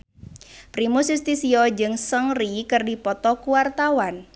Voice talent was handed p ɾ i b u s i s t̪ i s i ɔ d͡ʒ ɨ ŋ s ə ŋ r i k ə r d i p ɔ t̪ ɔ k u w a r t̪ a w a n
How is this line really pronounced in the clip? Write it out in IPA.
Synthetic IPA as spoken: p ɾ i m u s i s t̪ i s i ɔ d͡ʒ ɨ ŋ s ə ŋ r i k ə r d i p ɔ t̪ ɔ k u w a r t̪ a w a n